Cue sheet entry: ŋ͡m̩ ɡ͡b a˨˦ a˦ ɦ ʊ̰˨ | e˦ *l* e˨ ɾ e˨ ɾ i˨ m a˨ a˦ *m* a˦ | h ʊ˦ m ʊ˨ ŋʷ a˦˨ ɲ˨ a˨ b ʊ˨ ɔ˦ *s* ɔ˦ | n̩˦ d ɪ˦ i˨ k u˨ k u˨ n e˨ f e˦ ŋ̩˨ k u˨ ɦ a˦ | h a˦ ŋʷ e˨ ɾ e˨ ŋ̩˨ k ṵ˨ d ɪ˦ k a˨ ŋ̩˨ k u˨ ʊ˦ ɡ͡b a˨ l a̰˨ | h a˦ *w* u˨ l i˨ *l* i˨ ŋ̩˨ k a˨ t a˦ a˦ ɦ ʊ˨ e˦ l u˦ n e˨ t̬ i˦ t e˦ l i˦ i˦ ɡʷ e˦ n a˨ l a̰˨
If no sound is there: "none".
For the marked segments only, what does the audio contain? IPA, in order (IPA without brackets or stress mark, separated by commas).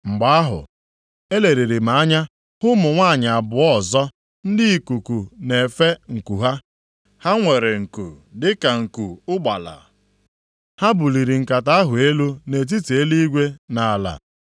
l, ɲ, z, b, ɾ